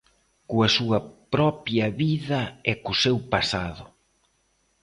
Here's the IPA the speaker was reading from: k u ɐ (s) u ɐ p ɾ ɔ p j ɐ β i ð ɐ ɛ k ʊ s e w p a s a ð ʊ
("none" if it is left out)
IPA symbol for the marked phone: s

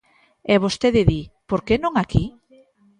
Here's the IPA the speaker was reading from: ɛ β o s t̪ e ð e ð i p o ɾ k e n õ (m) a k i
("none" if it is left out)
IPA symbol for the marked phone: ŋ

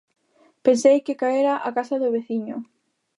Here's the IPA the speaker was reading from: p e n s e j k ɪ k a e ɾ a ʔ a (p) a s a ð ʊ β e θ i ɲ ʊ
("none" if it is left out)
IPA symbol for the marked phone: k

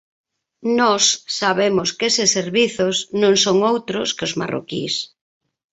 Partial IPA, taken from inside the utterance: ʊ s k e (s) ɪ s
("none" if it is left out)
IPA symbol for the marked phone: s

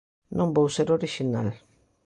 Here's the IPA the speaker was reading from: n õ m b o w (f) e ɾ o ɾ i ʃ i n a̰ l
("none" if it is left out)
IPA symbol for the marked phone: s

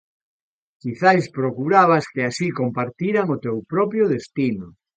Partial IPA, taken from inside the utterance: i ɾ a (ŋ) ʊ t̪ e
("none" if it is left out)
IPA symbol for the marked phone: ŋ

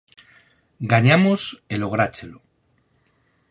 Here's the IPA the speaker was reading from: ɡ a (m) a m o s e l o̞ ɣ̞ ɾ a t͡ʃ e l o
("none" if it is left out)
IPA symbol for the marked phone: ɲ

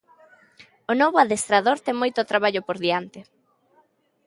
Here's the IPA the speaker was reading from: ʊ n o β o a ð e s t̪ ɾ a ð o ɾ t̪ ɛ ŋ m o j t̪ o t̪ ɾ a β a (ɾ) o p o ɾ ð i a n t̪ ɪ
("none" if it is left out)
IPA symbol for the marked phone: ʎ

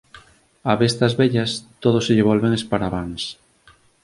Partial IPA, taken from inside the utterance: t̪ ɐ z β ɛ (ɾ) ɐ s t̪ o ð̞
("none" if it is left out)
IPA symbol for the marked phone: ʎ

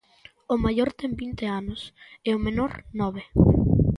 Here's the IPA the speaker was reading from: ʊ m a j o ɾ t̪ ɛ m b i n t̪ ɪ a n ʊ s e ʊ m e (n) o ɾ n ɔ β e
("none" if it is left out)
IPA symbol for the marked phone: n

